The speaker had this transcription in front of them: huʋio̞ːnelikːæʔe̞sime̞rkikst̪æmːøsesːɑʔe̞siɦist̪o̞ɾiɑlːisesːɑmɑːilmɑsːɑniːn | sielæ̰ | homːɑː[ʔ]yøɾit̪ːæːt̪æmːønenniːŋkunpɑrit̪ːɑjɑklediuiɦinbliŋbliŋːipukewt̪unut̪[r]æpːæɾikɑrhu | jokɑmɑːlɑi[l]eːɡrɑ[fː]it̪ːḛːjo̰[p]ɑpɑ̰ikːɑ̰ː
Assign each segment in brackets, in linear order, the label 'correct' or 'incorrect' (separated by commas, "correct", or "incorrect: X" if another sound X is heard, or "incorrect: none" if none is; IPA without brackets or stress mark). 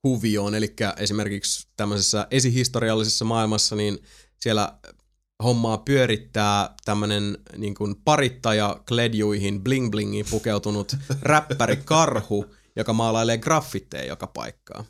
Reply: incorrect: p, correct, correct, correct, incorrect: k